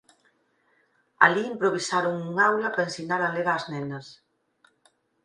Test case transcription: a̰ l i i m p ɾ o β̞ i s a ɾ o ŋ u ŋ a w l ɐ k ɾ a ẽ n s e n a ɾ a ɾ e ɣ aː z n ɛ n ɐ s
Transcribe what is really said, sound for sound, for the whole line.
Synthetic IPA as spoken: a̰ l i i m p ɾ o β̞ i s a ɾ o ŋ u ŋ a w l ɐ p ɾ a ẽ n s i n a ɾ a l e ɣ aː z n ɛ n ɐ s

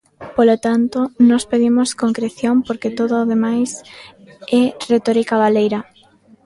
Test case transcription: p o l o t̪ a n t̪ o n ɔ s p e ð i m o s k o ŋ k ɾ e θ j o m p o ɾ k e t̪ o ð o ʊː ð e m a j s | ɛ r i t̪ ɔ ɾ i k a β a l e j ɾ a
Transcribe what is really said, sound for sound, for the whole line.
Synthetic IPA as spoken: p o l o t̪ a n t̪ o n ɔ s p e ð i m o s k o ŋ k ɾ e θ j o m p o ɾ k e t̪ o ð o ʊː ð e m a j s | ɛ r e t̪ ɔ ɾ i k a β a l e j ɾ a

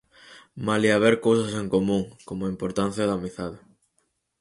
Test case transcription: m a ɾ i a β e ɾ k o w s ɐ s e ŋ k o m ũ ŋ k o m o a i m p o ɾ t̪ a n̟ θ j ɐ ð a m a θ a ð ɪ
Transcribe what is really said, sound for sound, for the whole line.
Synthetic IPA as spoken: m a l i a β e ɾ k o w s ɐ s e ŋ k o m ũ ŋ k o m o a i m p o ɾ t̪ a n̟ θ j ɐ ð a m i θ a ð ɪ

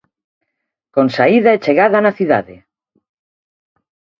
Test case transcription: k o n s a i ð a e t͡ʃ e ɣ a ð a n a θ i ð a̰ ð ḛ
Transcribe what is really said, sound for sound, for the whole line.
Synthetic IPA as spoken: k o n s a i ð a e t͡ʃ e ɣ a ð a n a θ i ð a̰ ð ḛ

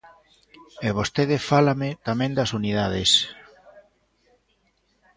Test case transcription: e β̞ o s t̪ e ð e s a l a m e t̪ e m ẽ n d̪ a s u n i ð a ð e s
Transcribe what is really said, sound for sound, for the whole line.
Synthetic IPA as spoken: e β̞ o s t̪ e ð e f a l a m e t̪ a m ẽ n d̪ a s u n i ð a ð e s

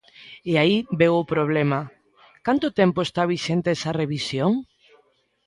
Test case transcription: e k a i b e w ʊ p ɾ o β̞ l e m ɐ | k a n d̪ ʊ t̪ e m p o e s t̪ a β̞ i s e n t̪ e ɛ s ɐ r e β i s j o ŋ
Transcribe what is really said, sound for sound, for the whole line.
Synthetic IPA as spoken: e a i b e w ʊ p ɾ o β̞ l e m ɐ | k a n t̪ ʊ t̪ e m p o e s t̪ a β̞ i ʃ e n t̪ e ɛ s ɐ r e β i s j o ŋ

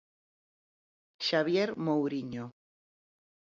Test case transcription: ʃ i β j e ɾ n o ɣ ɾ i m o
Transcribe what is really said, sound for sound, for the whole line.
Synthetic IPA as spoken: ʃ a β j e ɾ m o w ɾ i ɲ o

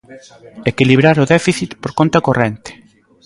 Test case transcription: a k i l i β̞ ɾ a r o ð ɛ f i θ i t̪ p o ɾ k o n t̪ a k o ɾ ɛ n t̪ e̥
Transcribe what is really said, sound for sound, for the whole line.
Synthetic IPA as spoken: e k i l i β̞ ɾ a ɾ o ð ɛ f i θ i t̪ p o ɾ k o n t̪ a k o r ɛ n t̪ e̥

